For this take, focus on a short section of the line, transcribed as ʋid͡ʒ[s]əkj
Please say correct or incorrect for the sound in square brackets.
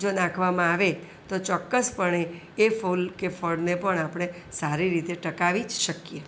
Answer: incorrect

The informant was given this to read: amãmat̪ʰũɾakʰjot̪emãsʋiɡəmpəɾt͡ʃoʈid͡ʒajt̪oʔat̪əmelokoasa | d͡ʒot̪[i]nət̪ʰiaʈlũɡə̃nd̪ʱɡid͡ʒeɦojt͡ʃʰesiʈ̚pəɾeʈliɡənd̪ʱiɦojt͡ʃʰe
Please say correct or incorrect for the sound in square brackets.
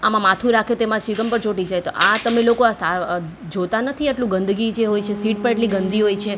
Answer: incorrect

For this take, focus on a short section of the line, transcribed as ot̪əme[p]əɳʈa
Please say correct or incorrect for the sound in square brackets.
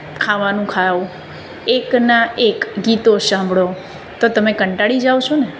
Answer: incorrect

